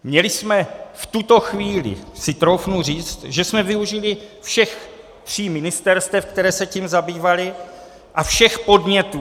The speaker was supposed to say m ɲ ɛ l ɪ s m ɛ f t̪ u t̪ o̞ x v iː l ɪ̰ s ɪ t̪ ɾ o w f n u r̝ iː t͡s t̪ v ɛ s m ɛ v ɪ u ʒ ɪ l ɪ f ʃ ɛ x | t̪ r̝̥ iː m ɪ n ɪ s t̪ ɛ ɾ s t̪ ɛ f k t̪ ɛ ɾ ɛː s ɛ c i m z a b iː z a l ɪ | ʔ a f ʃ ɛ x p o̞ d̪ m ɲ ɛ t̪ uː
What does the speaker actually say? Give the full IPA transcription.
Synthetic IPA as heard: m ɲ ɛ l ɪ s m ɛ f t̪ u t̪ o̞ x v iː l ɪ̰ s ɪ t̪ ɾ o w f n u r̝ iː t͡s t̪ ʒ ɛ s m ɛ v ɪ u ʒ ɪ l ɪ f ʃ ɛ x | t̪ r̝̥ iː m ɪ n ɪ s t̪ ɛ ɾ s t̪ ɛ f k t̪ ɛ ɾ ɛː s ɛ c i m z a b iː v a l ɪ | ʔ a f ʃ ɛ x p o̞ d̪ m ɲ ɛ t̪ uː